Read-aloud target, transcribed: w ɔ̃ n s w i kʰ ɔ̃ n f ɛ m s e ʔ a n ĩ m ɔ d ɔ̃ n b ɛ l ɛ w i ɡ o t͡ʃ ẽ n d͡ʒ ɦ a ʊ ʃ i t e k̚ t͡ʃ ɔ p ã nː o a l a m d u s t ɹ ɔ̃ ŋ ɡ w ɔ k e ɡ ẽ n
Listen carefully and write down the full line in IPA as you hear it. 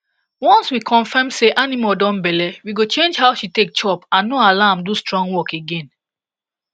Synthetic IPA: w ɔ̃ n s w i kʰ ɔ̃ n f ɛ m s e ʔ a n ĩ m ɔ d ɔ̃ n b ɛ l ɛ w i ɡ o t͡ʃ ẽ n d͡ʒ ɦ a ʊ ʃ i t e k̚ t͡ʃ ɔ p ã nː o a l a m d u s t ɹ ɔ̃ ŋ ɡ w ɔ k e ɡ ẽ n